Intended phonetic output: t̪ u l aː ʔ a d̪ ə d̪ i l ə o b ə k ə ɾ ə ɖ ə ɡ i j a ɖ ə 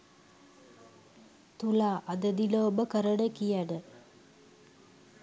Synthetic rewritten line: t̪ u l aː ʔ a d̪ ə d̪ i l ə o b ə k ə ɾ ə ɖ ə k i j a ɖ ə